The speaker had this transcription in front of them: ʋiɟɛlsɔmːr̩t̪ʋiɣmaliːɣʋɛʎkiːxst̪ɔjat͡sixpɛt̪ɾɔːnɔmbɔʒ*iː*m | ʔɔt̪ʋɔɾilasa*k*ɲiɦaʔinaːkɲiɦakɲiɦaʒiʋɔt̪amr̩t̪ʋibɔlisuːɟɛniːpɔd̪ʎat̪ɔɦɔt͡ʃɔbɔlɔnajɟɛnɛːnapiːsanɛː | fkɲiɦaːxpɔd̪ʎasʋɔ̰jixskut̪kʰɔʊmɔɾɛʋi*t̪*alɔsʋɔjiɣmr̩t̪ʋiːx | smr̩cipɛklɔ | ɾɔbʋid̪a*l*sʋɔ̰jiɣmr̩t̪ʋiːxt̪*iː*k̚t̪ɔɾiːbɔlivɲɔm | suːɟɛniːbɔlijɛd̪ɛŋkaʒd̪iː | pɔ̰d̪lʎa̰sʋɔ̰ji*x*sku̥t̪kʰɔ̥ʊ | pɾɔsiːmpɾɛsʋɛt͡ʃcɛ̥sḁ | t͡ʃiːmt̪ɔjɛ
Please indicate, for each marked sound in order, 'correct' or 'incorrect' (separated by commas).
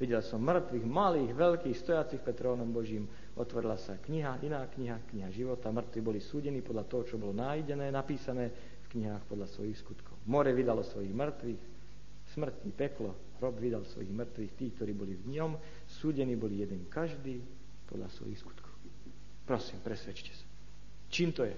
correct, correct, incorrect, correct, correct, correct